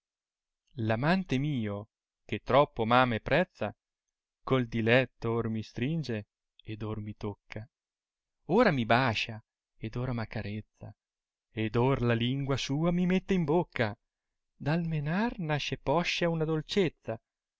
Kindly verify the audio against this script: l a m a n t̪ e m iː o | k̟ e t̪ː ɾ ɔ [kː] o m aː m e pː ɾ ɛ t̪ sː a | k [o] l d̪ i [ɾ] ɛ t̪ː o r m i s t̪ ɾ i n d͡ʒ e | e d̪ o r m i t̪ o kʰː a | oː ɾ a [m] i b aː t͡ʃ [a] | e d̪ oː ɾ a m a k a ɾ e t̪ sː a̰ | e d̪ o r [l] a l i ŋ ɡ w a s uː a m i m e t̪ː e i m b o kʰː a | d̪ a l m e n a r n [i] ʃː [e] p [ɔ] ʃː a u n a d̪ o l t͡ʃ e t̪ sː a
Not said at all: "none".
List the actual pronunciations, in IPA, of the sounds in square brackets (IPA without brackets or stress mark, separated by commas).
pː, o, l, m, a, l, a, e, ɔ